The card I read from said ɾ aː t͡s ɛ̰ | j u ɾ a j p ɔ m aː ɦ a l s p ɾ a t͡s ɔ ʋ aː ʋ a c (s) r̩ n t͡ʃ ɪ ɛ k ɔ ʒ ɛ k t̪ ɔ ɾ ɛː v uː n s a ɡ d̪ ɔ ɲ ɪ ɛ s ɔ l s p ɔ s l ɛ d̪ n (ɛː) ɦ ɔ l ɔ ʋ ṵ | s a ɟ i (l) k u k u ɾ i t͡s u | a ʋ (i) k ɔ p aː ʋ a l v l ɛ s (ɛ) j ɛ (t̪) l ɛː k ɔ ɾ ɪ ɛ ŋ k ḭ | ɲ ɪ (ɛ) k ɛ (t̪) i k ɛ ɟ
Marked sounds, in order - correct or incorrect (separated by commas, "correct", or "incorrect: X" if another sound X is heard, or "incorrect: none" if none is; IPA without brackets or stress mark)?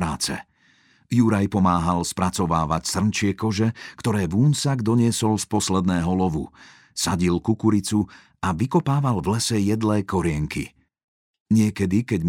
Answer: correct, correct, correct, correct, correct, incorrect: d̪, correct, incorrect: d̪